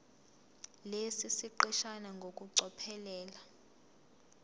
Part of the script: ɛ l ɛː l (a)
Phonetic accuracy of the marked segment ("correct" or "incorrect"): correct